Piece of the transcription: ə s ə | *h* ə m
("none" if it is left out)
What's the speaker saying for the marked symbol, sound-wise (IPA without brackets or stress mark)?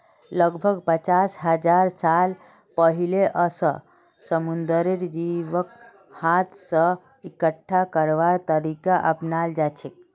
s